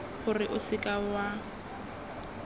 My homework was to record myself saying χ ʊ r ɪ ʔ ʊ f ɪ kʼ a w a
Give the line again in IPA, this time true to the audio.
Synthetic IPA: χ ʊ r ɪ ʔ ʊ s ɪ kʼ a w a